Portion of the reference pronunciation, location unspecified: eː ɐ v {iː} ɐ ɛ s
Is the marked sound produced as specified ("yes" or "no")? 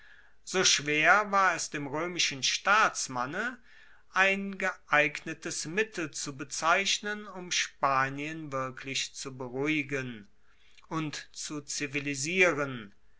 no